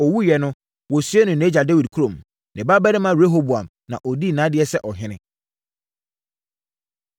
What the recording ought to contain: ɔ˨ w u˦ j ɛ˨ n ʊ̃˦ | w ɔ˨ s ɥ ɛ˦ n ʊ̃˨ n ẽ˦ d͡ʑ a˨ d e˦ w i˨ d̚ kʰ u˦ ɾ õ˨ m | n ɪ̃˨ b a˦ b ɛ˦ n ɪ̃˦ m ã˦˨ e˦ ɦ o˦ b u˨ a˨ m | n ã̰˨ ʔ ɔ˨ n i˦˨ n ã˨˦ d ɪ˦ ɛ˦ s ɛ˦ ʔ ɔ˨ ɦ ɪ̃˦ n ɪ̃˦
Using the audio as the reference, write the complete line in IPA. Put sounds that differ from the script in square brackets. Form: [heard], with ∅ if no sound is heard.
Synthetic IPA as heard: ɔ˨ w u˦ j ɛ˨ n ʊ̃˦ | w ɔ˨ s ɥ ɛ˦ n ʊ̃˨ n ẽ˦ d͡ʑ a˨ d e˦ w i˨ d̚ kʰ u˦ ɾ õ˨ m | n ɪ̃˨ b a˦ b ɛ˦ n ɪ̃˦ m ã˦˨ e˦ ɦ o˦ b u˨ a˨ m | n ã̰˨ ʔ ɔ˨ [d] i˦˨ n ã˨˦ d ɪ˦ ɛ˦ s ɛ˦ ʔ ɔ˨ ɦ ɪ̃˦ n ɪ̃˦